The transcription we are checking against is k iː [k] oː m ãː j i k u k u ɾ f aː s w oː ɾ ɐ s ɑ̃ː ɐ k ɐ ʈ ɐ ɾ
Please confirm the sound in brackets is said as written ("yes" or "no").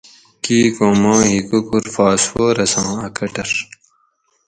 yes